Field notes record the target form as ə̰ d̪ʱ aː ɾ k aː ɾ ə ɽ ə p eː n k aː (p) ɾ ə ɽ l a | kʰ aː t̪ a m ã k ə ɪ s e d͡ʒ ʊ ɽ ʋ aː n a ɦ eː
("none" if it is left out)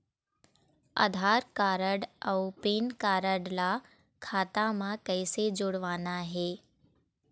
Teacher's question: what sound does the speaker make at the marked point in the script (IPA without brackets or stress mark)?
none